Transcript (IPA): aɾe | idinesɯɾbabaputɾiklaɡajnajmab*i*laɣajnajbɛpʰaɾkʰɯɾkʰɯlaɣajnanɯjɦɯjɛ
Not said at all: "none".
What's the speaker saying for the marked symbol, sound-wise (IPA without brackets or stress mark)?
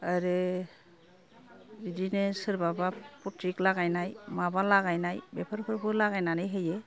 a